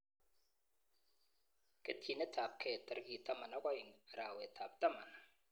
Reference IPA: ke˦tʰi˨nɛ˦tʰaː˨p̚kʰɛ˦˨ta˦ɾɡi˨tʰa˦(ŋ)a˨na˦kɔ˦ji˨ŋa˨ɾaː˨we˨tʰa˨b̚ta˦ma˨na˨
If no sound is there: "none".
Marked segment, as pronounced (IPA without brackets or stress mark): m